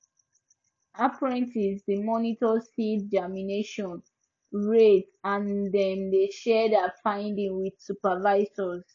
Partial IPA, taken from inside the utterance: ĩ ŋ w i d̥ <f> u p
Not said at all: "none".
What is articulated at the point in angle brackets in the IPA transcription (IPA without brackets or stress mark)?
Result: s